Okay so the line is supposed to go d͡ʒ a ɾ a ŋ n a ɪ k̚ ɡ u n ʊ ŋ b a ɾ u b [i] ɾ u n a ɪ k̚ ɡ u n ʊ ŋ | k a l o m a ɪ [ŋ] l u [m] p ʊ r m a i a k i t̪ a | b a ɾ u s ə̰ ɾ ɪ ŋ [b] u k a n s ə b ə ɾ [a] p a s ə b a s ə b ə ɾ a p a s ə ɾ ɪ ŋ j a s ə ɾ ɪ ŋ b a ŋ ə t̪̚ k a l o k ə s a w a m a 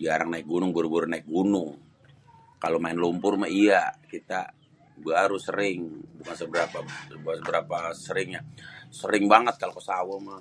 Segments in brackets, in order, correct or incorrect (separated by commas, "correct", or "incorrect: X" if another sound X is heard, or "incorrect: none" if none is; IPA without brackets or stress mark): incorrect: a, incorrect: n, correct, correct, correct